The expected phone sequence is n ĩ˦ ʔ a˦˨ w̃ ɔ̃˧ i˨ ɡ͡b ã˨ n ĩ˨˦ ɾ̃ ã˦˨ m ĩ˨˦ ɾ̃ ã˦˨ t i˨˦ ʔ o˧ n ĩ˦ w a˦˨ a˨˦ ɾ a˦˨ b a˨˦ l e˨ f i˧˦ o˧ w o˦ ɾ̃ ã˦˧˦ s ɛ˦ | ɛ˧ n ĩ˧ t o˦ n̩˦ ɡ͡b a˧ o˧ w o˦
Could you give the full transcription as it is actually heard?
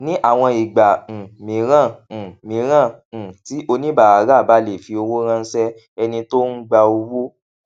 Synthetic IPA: n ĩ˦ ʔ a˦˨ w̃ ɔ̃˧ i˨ ɡ͡b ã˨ m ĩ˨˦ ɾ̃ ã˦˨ m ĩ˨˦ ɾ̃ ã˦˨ t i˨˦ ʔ o˧ n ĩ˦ b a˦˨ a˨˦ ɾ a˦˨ b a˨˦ l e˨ f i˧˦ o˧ w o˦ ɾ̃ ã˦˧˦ s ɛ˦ | ɛ˧ n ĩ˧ t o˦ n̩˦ ɡ͡b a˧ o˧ w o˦